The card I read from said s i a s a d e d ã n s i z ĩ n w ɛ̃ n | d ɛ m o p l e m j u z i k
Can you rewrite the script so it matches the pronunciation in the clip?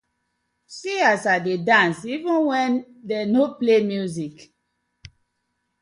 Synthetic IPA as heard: s i a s a d e d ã n s i v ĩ n w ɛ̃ n | d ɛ n o p l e m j u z i k